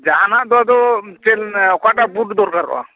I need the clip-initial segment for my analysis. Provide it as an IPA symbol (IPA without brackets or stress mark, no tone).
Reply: d͡ʒ